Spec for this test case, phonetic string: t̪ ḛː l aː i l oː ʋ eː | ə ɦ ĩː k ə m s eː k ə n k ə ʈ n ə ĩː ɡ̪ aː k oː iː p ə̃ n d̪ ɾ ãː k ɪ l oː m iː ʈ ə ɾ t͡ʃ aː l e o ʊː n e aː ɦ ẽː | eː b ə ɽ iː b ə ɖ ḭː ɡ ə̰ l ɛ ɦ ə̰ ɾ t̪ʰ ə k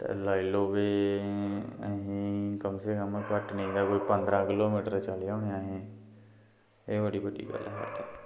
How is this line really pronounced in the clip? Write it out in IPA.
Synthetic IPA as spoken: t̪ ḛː l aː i l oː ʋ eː | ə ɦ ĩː k ə m s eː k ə m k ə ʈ n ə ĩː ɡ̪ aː k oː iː p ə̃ n d̪ ɾ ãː k ɪ l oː m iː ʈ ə ɾ t͡ʃ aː l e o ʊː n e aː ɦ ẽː | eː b ə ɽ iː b ə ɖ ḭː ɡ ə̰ l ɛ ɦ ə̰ ɾ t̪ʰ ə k